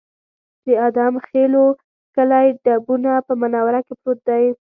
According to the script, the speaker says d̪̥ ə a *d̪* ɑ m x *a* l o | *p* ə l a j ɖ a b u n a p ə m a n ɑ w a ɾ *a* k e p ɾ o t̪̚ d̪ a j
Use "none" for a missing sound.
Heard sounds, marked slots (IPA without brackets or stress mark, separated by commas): d̪, e, k, a